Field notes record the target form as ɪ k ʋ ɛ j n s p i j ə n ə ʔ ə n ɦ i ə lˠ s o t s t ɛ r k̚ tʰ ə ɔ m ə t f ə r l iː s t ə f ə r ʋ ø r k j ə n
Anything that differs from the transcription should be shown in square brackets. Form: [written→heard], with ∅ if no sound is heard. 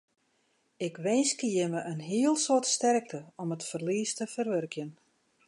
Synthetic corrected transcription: ɪ k ʋ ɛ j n s [p→k] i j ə [n→m] ə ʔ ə n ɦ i ə lˠ s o t s t ɛ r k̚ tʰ ə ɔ m ə t f ə r l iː s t ə f ə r ʋ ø r k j ə n